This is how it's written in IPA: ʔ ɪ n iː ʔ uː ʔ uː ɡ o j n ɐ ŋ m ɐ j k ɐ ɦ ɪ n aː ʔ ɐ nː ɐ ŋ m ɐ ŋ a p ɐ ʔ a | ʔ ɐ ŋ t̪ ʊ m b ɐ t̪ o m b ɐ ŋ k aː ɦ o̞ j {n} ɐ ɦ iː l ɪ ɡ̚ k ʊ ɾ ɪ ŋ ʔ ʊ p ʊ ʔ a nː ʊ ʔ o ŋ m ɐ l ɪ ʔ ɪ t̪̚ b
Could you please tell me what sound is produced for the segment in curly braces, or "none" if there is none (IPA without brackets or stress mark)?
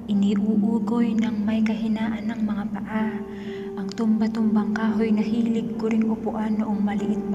n